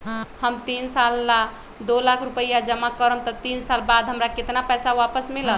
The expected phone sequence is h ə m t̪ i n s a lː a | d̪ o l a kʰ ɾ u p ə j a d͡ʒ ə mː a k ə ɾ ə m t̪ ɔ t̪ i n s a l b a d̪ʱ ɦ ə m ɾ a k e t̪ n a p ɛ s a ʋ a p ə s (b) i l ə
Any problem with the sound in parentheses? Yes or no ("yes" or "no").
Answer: yes